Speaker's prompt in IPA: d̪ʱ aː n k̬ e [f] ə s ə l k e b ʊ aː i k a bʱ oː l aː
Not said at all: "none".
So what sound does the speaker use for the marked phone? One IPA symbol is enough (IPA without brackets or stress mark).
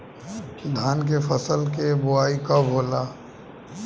f